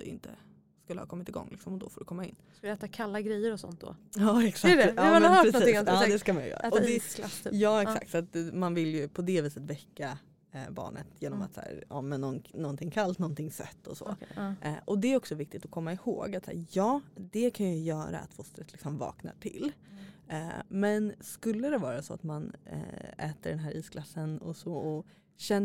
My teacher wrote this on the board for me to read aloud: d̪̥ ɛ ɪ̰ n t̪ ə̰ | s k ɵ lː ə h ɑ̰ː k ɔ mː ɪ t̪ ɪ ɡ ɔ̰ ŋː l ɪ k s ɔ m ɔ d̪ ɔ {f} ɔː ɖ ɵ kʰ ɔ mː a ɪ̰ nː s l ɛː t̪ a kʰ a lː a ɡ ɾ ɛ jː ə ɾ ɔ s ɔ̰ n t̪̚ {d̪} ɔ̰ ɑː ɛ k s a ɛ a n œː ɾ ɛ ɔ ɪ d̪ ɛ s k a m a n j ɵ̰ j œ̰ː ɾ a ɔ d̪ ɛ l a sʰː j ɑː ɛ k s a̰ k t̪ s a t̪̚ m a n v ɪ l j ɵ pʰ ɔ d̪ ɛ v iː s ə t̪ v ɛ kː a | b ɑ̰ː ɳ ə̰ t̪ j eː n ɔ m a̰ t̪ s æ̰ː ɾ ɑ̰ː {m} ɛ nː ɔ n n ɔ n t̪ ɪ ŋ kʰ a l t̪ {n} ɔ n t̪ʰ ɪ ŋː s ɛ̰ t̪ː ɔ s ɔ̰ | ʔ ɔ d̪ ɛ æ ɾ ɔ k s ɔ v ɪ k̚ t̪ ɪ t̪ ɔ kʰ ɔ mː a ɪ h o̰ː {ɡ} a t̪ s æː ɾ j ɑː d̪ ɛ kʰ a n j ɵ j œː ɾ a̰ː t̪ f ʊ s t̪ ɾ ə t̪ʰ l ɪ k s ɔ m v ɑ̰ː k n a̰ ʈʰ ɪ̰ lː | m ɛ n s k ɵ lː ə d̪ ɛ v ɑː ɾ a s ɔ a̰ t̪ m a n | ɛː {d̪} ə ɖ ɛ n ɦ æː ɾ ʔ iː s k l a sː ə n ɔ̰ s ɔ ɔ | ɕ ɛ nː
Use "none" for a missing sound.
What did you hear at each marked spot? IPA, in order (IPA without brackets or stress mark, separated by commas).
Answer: f, d̪, m, n, ɡ, t̪